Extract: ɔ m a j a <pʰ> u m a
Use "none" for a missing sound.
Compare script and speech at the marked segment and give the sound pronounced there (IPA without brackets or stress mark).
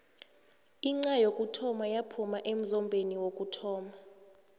pʰ